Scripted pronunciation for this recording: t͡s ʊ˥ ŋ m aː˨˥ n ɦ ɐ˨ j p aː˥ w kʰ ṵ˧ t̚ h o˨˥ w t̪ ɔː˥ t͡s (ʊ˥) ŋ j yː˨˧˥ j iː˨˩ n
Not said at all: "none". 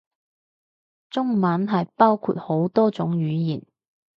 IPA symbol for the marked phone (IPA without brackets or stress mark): ʊ˨˥